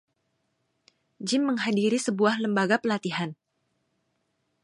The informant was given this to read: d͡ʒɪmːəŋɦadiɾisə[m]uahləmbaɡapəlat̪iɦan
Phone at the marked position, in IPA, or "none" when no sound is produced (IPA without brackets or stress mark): b